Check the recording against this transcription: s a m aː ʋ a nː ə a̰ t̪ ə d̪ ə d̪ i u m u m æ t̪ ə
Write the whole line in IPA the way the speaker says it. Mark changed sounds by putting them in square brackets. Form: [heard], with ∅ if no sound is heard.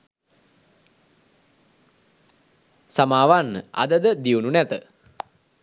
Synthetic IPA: s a m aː ʋ a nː ə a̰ [d̪] ə d̪ ə d̪ i u [n] u [n] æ t̪ ə